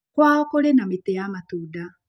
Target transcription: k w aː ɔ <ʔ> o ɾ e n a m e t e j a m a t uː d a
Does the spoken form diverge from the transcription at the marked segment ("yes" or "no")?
yes